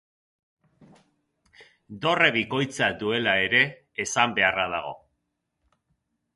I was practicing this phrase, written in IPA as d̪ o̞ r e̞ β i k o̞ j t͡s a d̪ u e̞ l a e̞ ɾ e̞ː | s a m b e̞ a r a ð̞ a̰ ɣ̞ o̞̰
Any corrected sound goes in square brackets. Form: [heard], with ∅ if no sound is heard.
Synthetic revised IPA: d̪ o̞ r e̞ β i k o̞ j t͡s a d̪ u e̞ l a e̞ ɾ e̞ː | s a m b e̞ a r a ð̞ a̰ ɣ̞ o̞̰